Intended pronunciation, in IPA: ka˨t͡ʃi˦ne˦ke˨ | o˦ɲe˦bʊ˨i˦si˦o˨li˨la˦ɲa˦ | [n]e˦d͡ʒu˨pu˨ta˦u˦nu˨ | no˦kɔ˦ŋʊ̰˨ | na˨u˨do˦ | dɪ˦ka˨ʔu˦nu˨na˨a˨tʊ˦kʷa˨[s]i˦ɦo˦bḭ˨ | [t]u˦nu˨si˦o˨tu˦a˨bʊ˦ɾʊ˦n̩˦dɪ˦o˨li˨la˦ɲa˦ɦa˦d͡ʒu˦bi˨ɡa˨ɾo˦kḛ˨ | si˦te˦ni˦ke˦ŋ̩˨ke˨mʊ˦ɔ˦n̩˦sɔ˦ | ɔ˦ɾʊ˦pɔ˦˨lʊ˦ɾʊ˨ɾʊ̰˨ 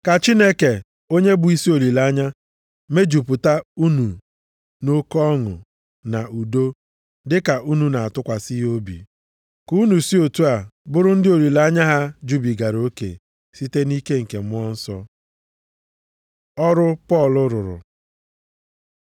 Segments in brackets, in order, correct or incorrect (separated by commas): incorrect, correct, incorrect